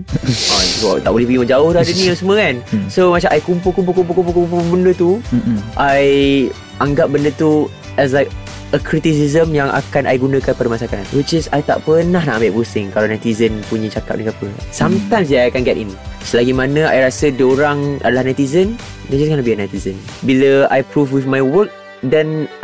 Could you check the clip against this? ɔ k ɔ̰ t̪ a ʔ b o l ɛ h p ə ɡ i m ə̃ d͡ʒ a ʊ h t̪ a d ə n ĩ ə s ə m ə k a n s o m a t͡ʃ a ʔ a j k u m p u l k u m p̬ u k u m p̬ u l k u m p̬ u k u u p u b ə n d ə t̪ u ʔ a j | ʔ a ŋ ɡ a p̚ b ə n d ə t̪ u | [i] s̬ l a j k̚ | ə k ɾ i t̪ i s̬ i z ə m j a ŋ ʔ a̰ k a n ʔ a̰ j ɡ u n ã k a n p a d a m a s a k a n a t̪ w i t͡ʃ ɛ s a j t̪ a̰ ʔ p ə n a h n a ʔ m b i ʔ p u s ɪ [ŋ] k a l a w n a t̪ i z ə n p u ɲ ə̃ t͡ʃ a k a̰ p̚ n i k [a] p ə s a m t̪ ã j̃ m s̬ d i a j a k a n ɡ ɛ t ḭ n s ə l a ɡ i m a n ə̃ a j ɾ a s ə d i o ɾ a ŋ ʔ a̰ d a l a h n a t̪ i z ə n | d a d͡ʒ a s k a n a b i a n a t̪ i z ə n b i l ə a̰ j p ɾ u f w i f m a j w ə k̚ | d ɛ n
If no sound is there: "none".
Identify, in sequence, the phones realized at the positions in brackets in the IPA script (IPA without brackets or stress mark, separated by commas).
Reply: ɛ, ŋ, a